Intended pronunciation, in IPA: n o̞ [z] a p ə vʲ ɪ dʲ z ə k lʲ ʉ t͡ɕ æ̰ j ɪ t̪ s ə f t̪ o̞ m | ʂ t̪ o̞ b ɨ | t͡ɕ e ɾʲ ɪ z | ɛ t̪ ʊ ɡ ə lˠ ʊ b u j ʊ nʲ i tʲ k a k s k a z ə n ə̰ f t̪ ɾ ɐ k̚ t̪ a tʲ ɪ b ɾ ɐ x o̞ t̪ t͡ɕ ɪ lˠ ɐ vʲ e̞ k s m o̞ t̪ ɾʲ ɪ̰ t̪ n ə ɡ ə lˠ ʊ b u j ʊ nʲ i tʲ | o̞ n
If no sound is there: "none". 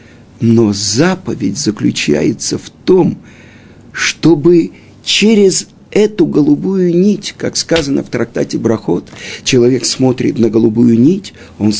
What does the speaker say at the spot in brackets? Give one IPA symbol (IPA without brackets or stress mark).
z